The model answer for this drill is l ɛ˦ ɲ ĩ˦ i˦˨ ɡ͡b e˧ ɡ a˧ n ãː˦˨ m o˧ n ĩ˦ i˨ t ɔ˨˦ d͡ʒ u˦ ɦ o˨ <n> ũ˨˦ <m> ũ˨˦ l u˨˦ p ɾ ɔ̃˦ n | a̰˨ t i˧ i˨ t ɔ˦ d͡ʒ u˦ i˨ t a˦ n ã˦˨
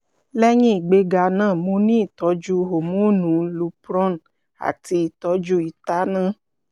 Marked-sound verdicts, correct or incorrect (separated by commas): incorrect, incorrect